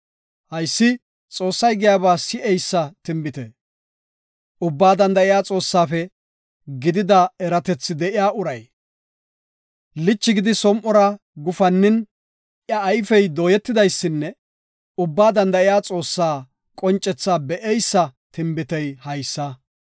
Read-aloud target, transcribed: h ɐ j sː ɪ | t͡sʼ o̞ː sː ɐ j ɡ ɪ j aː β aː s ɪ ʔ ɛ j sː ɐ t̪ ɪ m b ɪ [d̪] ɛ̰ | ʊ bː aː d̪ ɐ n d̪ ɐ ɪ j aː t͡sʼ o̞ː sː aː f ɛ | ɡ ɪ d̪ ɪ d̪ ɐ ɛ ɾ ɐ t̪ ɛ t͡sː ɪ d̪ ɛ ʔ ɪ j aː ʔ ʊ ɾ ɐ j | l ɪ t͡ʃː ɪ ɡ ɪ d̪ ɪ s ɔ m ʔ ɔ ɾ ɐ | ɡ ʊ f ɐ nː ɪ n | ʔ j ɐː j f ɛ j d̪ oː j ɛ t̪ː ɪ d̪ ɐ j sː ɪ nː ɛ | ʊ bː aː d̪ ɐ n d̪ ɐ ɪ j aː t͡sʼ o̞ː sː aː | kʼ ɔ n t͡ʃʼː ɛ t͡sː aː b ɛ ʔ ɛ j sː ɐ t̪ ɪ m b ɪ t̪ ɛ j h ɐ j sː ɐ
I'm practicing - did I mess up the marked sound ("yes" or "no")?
yes